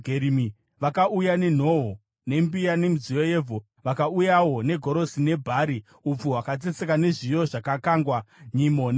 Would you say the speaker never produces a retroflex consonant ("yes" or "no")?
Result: no